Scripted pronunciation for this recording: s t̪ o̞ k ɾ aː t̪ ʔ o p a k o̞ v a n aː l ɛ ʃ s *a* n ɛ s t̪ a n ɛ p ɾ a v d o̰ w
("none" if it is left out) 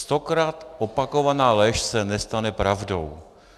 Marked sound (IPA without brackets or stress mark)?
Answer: ɛ